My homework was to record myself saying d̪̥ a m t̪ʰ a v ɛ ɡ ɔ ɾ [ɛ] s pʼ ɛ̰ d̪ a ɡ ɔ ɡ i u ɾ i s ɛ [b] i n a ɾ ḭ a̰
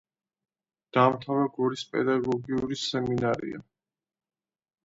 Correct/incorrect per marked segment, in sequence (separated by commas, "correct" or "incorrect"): incorrect, incorrect